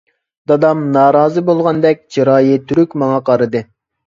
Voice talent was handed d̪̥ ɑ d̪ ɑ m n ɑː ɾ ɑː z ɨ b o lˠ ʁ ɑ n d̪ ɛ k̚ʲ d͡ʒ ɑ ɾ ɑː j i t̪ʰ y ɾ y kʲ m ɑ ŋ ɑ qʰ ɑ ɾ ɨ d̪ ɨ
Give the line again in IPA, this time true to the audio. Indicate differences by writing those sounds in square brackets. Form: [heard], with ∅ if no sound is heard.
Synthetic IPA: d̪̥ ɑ d̪ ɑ m n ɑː ɾ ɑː z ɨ b o lˠ ʁ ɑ n d̪ ɛ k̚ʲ d͡ʒ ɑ ɾ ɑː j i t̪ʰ y ɾ y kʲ m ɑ ŋ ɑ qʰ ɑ ɾ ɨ d̪ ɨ